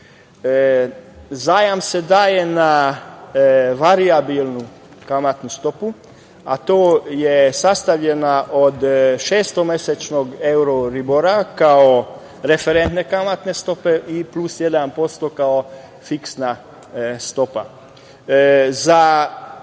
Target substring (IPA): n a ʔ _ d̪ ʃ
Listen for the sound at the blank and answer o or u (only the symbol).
o